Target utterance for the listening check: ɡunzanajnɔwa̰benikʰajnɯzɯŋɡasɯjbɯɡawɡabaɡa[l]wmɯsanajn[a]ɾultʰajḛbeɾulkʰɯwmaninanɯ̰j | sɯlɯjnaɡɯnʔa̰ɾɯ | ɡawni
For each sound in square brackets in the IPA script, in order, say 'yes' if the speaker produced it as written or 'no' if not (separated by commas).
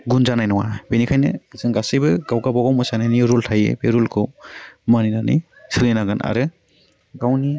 no, no